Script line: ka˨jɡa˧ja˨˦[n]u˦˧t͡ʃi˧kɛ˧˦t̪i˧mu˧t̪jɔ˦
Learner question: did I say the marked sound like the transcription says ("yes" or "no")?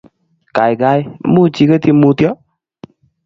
no